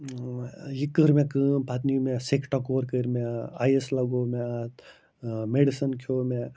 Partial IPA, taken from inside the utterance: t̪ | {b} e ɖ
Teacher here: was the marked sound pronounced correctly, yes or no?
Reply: no